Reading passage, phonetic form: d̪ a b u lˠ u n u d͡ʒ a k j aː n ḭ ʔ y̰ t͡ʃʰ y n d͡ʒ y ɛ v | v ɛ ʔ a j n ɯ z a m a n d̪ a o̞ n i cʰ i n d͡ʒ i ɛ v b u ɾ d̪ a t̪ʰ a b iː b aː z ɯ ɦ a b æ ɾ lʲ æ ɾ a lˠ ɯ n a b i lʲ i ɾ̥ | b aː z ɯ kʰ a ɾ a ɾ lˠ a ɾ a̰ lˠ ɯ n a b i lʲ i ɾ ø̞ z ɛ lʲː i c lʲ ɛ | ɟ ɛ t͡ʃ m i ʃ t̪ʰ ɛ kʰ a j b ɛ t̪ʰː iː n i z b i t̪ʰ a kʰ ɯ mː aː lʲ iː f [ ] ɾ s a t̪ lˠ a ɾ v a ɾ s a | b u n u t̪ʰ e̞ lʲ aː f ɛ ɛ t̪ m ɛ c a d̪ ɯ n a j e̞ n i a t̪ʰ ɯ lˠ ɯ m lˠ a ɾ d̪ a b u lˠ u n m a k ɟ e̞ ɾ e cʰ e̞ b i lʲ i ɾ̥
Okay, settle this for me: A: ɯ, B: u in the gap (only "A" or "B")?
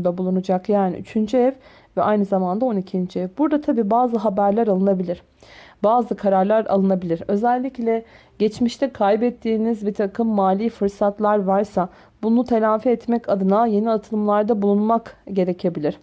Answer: A